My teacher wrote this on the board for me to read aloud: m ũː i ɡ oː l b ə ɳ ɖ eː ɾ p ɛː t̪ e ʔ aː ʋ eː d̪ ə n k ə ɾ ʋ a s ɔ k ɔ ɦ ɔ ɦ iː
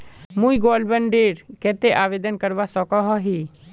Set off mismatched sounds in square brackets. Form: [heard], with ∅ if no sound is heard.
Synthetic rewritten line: m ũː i ɡ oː l b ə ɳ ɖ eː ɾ [k] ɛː t̪ e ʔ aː ʋ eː d̪ ə n k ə ɾ ʋ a s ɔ k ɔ ɦ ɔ ɦ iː